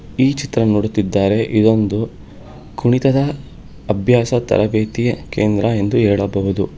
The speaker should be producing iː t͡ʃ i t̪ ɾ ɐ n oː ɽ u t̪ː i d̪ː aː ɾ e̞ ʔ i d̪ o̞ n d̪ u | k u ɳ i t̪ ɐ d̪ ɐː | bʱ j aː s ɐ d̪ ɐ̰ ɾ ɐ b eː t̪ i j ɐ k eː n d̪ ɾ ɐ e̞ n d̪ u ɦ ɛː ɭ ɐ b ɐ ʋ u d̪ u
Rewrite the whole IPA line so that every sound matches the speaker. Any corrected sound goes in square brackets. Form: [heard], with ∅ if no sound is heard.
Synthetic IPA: iː t͡ʃ i t̪ ɾ ɐ n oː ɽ u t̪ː i d̪ː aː ɾ e̞ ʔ i d̪ o̞ n d̪ u | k u ɳ i t̪ ɐ d̪ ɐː | bʱ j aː s ɐ [t̪] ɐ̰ ɾ ɐ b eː t̪ i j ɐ k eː n d̪ ɾ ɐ e̞ n d̪ u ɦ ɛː ɭ ɐ b ɐ ʋ u d̪ u